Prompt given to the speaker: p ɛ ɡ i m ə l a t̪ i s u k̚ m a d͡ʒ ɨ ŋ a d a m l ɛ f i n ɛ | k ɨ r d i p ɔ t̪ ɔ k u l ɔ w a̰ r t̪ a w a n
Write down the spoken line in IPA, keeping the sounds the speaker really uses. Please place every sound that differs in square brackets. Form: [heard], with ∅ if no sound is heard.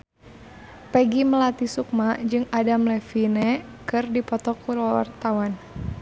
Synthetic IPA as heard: p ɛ ɡ i m ə l a t̪ i s u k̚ m a d͡ʒ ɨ ŋ a d a m l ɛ f i n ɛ | k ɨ r d i p ɔ t̪ ɔ k u l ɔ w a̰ r t̪ a w a n